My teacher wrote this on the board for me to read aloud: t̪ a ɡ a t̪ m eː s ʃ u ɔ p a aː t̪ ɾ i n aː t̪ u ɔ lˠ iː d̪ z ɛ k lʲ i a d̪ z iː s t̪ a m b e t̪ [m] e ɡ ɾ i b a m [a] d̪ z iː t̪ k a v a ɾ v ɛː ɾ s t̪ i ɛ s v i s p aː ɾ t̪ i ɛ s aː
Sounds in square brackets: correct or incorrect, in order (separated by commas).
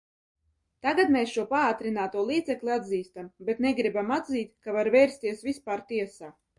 incorrect, correct